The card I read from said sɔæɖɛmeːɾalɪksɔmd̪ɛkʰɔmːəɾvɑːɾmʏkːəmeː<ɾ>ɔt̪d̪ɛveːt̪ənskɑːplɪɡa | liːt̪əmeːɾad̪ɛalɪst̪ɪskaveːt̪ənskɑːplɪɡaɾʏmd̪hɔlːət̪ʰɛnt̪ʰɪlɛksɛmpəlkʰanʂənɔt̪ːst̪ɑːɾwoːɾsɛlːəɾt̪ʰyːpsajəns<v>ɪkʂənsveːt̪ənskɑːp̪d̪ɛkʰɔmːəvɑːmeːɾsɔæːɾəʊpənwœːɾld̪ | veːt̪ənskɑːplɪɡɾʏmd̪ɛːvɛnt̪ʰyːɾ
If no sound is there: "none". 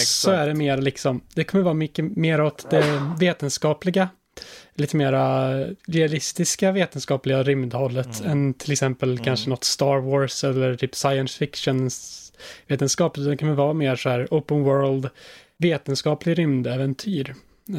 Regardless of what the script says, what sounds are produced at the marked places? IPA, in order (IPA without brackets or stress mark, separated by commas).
ɾ, f